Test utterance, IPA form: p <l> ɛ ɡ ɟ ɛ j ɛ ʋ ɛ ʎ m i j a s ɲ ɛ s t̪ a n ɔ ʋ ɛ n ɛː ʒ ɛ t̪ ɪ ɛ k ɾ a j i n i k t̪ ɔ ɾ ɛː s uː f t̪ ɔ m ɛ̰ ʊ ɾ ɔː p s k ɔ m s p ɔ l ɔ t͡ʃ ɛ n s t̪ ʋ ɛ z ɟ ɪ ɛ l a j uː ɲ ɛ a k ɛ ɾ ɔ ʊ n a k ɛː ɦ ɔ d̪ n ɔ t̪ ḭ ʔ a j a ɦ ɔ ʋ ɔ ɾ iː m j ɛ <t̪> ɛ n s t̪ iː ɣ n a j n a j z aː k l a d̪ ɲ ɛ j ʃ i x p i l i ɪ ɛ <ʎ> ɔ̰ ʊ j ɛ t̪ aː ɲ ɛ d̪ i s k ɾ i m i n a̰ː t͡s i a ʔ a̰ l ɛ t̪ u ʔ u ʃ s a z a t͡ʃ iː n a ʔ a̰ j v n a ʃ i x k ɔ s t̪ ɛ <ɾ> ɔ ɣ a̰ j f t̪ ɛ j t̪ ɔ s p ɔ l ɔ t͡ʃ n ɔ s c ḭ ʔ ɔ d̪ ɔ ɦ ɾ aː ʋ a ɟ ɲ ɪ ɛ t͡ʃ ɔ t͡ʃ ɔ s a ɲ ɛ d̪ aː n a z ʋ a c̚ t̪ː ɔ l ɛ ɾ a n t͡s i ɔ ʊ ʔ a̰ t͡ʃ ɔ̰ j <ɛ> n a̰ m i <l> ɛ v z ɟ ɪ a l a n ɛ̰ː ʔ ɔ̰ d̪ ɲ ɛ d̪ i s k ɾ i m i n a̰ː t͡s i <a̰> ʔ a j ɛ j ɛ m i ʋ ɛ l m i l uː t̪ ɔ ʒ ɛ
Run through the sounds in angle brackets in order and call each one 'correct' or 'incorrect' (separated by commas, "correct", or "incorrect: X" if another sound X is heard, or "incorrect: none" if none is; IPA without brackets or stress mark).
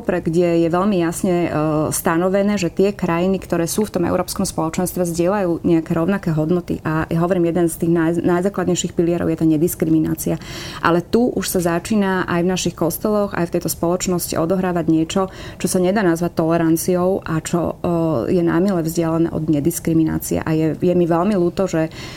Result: incorrect: ɾ, incorrect: d̪, incorrect: ɾ, incorrect: l, correct, correct, incorrect: ɛ̰